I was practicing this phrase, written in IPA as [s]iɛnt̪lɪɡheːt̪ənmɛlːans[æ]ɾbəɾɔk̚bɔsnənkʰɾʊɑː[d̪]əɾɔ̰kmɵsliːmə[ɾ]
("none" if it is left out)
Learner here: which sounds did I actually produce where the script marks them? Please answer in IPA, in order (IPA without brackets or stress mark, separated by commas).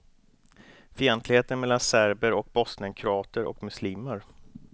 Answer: f, æ, t̪, ɾ